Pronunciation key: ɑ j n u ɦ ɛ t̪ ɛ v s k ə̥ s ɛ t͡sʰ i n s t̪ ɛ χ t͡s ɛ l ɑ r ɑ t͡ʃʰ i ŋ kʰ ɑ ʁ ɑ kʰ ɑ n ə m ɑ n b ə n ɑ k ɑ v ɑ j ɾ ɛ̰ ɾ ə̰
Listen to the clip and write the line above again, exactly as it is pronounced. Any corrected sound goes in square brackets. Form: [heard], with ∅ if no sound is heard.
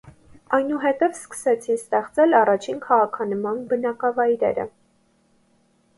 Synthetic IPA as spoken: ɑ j n u ɦ ɛ t̪ ɛ v s k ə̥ s ɛ t͡sʰ i n s t̪ ɛ χ t͡s ɛ l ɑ r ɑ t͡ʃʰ i [n] kʰ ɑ ʁ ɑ kʰ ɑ n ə m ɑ n b ə n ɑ k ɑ v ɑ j ɾ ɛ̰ ɾ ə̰

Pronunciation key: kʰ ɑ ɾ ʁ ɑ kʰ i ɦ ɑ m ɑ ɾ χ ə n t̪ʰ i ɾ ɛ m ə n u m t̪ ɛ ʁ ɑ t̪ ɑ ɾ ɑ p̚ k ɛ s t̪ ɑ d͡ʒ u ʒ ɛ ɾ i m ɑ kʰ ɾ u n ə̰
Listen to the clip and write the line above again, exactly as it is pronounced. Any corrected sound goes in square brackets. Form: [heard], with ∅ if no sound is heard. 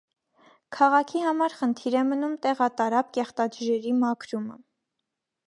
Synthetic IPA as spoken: kʰ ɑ [∅] ʁ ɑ kʰ i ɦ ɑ m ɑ ɾ χ ə n t̪ʰ i ɾ ɛ m ə n u m t̪ ɛ ʁ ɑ t̪ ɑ ɾ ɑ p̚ k ɛ [χ] t̪ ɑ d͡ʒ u ʒ ɛ ɾ i m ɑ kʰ ɾ u [m] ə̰

